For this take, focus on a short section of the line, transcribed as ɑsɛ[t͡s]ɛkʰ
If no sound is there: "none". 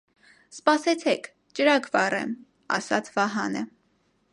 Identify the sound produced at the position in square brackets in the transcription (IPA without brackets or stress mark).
t͡sʰ